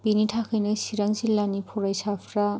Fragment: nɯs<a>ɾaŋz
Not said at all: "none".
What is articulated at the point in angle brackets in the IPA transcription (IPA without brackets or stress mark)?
i